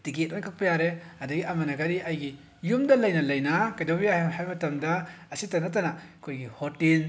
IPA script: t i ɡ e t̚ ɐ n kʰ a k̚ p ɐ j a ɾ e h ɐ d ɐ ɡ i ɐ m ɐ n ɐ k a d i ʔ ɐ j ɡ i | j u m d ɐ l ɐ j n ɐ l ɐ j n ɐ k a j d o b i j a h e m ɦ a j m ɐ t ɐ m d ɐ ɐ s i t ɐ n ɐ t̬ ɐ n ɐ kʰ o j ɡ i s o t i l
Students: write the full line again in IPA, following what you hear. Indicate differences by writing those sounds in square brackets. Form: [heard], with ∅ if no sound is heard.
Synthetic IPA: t i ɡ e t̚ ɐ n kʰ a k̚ p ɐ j a ɾ e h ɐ d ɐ ɡ i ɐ m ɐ n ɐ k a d i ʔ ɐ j ɡ i | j u m d ɐ l ɐ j n ɐ l ɐ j n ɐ k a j d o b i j a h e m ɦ a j m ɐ t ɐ m d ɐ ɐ s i t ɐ n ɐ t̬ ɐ n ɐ kʰ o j ɡ i [h] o t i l